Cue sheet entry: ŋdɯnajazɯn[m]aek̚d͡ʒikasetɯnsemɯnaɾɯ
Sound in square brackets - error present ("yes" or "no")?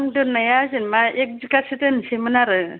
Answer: no